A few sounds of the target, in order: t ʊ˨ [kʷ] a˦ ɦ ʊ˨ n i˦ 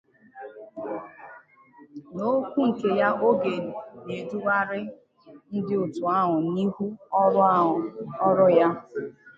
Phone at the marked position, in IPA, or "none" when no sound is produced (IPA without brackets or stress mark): none